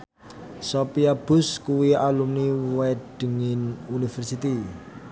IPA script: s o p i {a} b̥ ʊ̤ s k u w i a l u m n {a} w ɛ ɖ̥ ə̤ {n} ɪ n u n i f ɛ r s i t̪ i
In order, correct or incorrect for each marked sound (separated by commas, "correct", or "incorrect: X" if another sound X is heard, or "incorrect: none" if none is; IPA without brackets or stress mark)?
correct, incorrect: i, incorrect: ŋ